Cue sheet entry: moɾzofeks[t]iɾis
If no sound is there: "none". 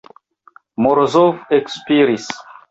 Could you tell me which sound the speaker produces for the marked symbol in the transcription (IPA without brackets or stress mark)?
p